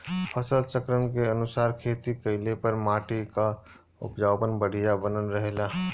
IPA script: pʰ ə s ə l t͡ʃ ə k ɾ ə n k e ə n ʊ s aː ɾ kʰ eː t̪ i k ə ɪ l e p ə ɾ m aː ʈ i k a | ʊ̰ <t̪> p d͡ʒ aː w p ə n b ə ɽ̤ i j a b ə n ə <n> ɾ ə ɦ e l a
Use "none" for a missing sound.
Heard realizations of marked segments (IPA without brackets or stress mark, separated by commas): none, n